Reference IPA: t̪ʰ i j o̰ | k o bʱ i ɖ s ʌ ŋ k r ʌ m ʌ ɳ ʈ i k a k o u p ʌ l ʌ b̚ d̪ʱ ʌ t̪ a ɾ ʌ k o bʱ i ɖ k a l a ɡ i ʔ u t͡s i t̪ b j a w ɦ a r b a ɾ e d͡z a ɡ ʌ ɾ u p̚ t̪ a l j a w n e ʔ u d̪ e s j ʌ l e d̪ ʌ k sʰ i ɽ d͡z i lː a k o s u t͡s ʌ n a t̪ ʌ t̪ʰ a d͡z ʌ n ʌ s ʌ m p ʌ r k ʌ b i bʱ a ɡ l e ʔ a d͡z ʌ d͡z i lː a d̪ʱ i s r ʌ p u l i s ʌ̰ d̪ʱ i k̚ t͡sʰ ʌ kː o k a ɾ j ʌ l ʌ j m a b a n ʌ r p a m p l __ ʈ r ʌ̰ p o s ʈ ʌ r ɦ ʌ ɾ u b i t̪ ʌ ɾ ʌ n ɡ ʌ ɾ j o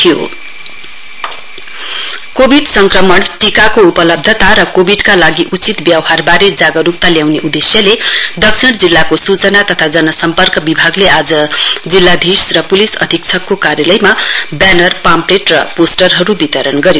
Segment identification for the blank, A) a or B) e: B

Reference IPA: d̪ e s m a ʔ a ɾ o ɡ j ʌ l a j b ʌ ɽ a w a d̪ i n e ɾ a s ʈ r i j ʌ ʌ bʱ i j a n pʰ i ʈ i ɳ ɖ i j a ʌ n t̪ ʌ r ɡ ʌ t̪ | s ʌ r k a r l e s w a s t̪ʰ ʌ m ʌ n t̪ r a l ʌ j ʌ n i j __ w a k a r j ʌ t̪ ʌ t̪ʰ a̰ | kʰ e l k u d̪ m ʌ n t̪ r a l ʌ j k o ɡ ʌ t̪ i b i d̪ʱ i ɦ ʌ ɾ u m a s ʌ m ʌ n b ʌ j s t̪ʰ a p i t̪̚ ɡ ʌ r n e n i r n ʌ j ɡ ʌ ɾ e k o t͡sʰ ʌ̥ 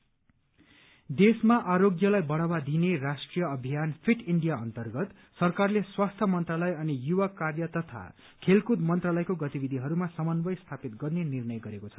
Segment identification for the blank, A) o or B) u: B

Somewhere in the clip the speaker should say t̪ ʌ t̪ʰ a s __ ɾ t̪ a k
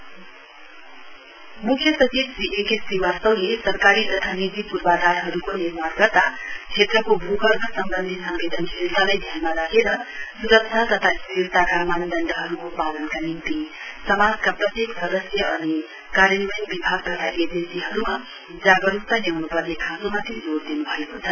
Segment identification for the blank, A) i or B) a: A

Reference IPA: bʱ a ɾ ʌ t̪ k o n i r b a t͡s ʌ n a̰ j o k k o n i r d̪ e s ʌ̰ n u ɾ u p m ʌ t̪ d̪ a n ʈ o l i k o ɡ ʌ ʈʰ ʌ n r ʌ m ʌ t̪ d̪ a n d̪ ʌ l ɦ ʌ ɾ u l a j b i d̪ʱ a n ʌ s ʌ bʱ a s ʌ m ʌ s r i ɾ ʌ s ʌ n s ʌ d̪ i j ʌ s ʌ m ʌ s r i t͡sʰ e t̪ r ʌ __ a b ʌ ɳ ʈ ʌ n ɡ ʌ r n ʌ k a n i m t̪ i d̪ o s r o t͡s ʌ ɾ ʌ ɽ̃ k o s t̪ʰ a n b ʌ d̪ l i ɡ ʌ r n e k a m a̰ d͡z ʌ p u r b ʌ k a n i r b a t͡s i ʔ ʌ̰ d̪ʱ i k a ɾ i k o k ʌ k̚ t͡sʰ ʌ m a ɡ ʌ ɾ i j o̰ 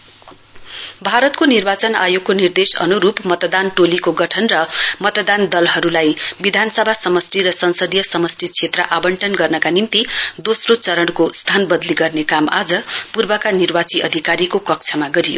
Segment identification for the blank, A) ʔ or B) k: A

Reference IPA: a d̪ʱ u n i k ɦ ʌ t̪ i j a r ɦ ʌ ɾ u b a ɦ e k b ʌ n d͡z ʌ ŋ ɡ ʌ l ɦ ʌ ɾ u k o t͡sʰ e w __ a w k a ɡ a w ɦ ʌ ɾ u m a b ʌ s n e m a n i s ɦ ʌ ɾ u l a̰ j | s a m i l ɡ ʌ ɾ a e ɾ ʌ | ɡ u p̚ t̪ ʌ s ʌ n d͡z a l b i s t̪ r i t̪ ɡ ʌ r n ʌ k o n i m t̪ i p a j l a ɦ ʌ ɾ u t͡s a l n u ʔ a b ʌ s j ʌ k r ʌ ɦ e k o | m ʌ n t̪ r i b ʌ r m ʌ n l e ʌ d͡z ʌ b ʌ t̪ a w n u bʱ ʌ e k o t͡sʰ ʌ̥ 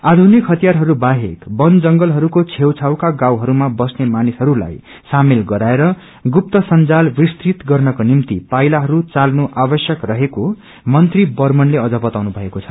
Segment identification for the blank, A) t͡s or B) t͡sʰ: B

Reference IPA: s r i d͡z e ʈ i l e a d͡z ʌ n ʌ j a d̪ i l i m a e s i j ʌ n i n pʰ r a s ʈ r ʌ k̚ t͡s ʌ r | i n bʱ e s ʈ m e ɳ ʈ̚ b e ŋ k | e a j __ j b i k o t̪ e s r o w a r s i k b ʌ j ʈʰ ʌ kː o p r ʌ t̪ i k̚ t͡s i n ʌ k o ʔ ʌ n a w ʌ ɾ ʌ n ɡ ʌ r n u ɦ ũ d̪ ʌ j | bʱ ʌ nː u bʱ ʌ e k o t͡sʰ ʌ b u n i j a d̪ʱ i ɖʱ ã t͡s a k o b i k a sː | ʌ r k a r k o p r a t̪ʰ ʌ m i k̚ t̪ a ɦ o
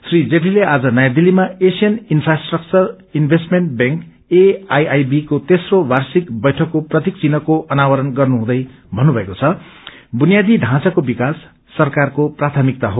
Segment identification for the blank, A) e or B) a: B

